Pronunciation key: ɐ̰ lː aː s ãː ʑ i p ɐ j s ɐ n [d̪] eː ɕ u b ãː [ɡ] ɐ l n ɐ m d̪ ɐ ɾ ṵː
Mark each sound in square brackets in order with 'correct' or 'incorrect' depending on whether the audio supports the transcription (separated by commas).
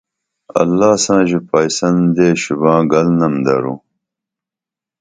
correct, correct